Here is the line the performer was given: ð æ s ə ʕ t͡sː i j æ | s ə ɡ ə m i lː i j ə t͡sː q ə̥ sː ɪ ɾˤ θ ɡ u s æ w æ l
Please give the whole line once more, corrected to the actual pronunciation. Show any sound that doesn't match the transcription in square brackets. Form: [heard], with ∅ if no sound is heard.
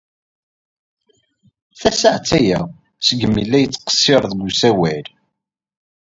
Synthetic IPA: [θ] æ s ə ʕ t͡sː [æ] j æ | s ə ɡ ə m i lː [æ] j ə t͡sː q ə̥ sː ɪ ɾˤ [ð] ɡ u s æ w æ l